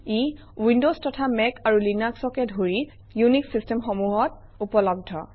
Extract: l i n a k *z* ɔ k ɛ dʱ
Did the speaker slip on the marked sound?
yes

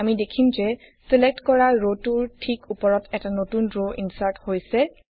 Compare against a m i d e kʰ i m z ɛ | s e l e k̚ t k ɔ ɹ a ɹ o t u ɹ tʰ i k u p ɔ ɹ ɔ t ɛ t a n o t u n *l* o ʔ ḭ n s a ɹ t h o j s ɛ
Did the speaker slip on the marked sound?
yes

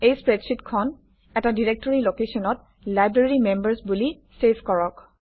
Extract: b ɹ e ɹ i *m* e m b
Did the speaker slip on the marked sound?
no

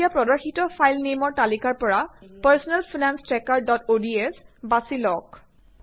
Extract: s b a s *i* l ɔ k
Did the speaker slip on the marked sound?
no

